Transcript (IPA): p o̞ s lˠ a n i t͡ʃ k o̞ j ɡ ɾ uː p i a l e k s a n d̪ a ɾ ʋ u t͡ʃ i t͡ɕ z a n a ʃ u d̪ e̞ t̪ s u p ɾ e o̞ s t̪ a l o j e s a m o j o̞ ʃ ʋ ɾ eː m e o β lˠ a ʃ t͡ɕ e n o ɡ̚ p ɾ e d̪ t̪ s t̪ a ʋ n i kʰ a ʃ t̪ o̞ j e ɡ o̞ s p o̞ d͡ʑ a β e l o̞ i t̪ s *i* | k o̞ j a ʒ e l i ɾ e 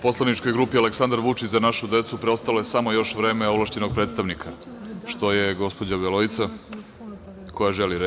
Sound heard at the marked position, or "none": a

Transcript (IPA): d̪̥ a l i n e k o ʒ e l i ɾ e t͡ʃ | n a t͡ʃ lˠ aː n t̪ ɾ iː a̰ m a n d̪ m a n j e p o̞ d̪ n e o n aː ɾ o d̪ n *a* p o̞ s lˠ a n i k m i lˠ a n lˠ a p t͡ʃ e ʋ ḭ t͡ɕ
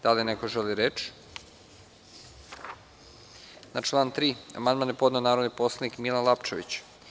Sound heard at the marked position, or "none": i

